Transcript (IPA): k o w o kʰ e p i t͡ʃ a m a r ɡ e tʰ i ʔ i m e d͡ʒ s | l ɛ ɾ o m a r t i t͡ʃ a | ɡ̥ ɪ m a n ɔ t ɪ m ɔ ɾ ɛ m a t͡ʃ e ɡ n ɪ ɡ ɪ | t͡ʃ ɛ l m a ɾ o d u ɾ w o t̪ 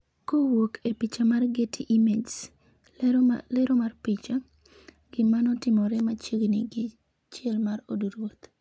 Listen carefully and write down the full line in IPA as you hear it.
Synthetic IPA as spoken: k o w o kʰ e p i t͡ʃ a m a r ɡ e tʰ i ʔ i m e d͡ʒ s | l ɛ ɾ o m a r p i t͡ʃ a | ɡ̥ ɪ m a n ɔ t ɪ m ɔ ɾ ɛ m a t͡ʃ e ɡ n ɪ ɡ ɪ | t͡ʃ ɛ l m a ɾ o d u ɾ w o t̪